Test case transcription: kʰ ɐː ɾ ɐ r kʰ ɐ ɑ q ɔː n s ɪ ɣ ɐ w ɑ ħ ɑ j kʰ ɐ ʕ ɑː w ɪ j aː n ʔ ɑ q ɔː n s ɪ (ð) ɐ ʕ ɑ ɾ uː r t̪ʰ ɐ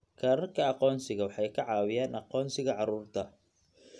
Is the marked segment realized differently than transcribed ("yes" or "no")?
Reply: yes